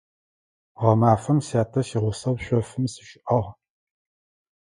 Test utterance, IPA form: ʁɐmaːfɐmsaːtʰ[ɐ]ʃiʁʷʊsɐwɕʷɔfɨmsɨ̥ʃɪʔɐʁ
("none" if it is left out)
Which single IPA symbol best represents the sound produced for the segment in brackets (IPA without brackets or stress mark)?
ɐ